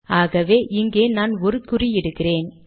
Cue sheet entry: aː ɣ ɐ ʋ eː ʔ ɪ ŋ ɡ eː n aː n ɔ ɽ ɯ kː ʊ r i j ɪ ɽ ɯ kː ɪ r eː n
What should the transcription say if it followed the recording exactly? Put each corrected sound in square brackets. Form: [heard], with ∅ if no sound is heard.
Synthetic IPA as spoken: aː ɣ ɐ ʋ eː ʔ ɪ ŋ ɡ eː n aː n ɔ [ɾ] ɯ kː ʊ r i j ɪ ɽ ɯ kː ɪ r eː n